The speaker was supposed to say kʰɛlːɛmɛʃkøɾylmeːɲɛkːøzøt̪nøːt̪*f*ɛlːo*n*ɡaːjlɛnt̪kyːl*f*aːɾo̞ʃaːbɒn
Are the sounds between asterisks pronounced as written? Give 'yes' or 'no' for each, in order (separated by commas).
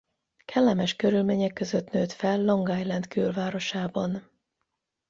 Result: yes, no, no